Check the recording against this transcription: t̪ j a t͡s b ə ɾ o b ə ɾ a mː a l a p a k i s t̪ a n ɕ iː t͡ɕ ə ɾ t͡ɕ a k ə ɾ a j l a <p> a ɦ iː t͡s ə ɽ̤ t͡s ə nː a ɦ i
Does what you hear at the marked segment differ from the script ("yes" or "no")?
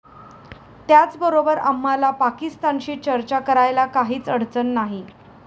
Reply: yes